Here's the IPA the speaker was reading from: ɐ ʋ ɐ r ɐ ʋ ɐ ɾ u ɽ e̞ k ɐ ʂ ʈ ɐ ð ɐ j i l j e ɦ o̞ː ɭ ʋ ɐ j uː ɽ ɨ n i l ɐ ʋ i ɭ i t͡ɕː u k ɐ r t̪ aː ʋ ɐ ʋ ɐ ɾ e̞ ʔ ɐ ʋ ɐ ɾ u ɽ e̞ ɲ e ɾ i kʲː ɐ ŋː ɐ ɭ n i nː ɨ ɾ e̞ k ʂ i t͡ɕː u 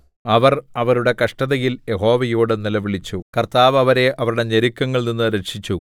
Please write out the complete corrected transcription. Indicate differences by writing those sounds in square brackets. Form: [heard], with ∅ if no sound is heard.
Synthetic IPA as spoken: ɐ ʋ ɐ r ɐ ʋ ɐ ɾ u ɽ e̞ k ɐ ʂ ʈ ɐ ð ɐ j i l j e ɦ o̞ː [∅] ʋ ɐ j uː ɽ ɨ n i l ɐ ʋ i ɭ i t͡ɕː u k ɐ r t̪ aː ʋ ɐ ʋ ɐ ɾ e̞ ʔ ɐ ʋ ɐ ɾ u ɽ e̞ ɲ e ɾ i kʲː ɐ ŋː ɐ ɭ n i nː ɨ ɾ e̞ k ʂ i t͡ɕː u